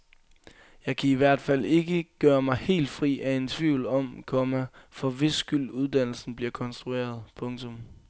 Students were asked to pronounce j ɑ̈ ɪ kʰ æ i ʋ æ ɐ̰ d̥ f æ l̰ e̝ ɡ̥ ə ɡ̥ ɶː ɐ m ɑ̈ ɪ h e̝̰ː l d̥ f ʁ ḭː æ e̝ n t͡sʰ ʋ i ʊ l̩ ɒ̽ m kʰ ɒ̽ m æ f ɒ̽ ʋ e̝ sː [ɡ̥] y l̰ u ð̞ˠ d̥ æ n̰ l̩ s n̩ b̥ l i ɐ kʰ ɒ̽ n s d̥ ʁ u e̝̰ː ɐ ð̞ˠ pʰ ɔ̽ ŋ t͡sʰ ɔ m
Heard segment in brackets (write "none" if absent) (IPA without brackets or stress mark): ɡ̥